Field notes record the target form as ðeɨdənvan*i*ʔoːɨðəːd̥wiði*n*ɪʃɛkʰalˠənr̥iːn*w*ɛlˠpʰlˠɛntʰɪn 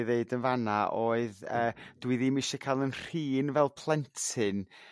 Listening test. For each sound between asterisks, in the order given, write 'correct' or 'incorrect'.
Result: incorrect: a, incorrect: m, incorrect: v

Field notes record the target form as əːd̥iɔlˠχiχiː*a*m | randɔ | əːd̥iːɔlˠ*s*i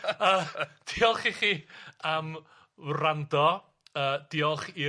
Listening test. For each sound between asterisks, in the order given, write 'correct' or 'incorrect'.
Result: correct, incorrect: χ

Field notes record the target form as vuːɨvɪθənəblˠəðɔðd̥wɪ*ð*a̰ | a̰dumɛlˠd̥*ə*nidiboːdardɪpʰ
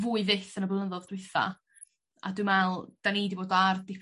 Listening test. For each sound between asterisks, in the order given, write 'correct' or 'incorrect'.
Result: incorrect: θ, incorrect: a

